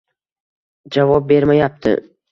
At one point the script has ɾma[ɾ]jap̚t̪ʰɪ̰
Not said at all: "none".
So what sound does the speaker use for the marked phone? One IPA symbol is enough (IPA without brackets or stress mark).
none